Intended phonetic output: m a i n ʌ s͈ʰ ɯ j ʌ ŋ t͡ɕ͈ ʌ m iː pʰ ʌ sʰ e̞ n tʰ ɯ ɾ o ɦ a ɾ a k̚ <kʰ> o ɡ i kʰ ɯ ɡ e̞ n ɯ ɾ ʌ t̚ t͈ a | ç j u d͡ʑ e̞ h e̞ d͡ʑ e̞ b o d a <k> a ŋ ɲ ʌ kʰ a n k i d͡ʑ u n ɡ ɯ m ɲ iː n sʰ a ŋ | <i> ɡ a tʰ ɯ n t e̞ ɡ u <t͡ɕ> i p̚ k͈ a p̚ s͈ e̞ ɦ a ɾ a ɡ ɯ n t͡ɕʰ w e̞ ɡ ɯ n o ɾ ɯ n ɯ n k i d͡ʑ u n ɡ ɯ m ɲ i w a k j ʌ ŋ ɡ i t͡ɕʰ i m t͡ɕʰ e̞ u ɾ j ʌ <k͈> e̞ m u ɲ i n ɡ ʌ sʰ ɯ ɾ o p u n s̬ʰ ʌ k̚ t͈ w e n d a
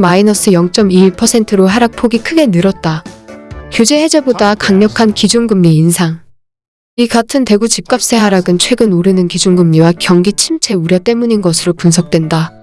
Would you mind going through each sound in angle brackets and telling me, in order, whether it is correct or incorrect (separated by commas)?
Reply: incorrect, correct, correct, correct, incorrect